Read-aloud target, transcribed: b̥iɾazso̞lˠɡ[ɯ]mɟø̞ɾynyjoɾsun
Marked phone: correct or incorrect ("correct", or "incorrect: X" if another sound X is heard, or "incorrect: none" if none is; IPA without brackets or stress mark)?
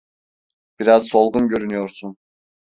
incorrect: u